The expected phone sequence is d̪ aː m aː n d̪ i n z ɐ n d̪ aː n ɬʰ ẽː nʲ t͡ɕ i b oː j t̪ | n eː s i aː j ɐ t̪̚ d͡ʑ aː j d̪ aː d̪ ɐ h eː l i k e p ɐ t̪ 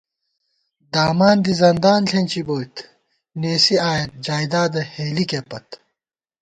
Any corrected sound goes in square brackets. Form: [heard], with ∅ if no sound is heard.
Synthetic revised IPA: d̪ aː m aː n d̪ i [∅] z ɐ n d̪ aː n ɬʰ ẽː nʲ t͡ɕ i b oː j t̪ | n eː s i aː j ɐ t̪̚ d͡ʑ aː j d̪ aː d̪ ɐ h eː l i k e p ɐ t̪

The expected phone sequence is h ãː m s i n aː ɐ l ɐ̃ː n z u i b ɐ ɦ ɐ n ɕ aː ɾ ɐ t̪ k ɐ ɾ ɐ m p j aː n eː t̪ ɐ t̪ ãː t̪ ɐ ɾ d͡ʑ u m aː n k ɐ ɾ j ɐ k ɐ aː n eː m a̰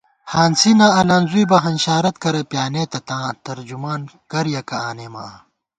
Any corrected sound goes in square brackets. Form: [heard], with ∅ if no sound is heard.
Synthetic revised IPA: h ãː [n] s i n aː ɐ l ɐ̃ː n z u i b ɐ ɦ ɐ n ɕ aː ɾ ɐ t̪ k ɐ ɾ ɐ [∅] p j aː n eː t̪ ɐ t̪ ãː t̪ ɐ ɾ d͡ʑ u m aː n k ɐ ɾ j ɐ k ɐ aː n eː m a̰

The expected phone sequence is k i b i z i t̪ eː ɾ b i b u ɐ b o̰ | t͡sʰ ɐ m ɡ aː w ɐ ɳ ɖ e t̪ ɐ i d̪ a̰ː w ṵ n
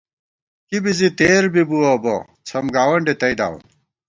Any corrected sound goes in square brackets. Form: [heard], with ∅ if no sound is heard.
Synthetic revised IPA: k i b i z i t̪ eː ɾ b i b u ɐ b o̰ | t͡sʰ ɐ m ɡ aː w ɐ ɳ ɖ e t̪ ɐ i d̪ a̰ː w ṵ n

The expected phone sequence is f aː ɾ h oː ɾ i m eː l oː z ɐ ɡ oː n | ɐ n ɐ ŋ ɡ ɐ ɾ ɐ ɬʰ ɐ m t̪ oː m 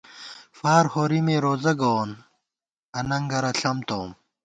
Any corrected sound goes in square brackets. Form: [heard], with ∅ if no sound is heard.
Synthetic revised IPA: f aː ɾ h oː ɾ i m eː [ɾ] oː z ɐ ɡ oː n | ɐ n ɐ ŋ ɡ ɐ ɾ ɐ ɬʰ ɐ m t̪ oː m

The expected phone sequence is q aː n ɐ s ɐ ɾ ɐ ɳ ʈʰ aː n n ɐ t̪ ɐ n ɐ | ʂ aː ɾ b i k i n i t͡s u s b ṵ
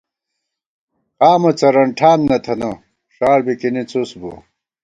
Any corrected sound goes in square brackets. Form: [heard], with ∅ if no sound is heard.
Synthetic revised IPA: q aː [m] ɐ [t͡s] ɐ ɾ ɐ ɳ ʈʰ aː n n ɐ [t̪ʰ] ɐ n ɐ | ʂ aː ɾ b i k i n i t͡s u s b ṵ

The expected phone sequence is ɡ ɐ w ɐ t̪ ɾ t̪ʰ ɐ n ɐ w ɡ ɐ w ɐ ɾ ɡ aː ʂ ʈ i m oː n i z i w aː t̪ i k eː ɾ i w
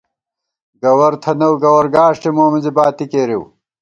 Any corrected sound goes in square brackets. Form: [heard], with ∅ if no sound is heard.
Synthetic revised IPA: ɡ ɐ w ɐ [∅] ɾ t̪ʰ ɐ n ɐ w ɡ ɐ w ɐ ɾ ɡ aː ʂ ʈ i m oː [m] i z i [b] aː t̪ i k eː ɾ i w

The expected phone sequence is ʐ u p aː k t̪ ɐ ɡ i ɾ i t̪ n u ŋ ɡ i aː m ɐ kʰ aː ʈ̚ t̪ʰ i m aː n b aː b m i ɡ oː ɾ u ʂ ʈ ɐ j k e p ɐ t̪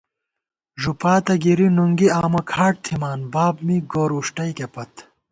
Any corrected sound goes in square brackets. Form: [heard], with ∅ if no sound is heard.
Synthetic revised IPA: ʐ u p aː [∅] t̪ ɐ ɡ i ɾ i [∅] n u ŋ ɡ i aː m ɐ kʰ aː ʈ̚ t̪ʰ i m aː n b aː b m i ɡ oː ɾ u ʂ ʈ ɐ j k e p ɐ t̪

